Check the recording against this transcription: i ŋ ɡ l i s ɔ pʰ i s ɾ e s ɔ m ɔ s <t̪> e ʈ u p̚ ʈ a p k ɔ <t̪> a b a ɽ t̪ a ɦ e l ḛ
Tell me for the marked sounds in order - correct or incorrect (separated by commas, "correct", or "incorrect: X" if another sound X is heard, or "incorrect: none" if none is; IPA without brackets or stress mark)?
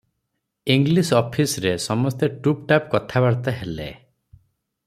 correct, incorrect: t̪ʰ